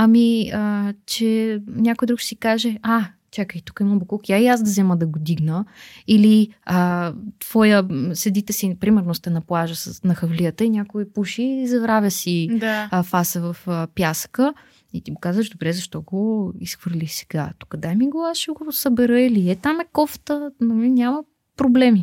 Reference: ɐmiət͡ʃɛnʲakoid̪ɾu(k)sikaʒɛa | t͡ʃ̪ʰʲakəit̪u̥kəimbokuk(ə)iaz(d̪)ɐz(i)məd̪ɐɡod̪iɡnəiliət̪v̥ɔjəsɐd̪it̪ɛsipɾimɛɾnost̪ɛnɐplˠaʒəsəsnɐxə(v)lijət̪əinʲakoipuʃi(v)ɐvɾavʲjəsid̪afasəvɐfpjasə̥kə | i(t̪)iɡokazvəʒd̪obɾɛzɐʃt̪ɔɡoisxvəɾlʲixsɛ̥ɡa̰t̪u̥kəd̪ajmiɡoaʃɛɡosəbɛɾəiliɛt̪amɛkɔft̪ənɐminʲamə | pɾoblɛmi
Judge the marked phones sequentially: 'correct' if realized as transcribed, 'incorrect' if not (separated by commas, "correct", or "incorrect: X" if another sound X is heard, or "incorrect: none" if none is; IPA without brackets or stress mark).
correct, incorrect: a, correct, incorrect: ɛ, correct, incorrect: z, correct